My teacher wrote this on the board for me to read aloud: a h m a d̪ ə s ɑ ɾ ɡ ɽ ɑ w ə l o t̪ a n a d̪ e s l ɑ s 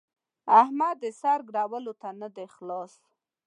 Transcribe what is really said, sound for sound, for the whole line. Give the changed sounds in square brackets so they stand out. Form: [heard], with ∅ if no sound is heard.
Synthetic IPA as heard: a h m a d̪ ə s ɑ ɾ ɡ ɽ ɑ w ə l o t̪ a n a d̪ e [x] l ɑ s